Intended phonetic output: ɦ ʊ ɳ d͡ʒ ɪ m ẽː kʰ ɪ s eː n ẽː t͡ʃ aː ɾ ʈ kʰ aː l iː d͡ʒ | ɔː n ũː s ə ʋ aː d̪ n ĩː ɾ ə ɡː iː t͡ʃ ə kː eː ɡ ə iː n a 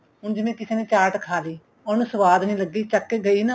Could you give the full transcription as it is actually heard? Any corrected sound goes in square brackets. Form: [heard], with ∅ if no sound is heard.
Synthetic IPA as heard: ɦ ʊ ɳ d͡ʒ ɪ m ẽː [k] ɪ s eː n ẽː t͡ʃ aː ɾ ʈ kʰ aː l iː [∅] | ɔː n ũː s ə ʋ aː d̪ n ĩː [l] ə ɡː iː t͡ʃ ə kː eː ɡ ə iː n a